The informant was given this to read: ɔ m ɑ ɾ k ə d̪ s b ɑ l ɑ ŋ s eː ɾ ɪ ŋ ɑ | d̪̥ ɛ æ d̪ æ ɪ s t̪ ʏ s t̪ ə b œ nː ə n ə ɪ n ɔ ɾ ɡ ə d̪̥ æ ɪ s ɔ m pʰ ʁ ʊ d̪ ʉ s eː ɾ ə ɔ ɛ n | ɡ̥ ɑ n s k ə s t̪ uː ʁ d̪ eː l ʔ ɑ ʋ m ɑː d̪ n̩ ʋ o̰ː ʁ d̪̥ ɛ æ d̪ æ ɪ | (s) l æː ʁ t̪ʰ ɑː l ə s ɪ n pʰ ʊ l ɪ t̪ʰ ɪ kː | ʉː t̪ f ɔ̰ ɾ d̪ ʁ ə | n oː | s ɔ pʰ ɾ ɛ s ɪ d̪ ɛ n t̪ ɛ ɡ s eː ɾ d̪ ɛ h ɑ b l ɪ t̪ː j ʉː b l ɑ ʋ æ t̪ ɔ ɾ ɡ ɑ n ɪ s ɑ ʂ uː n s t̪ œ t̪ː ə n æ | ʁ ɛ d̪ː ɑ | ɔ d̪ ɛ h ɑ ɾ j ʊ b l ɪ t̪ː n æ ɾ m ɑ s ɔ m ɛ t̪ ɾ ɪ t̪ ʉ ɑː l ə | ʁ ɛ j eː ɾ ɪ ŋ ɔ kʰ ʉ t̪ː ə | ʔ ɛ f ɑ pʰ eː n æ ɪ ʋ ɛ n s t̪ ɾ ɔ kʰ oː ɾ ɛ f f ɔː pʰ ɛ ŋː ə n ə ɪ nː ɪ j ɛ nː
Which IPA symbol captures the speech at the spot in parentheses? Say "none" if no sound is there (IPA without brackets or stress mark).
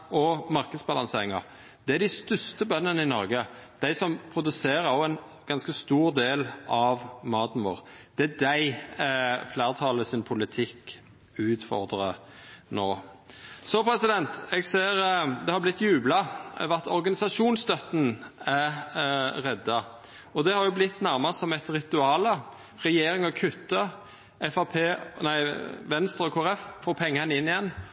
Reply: f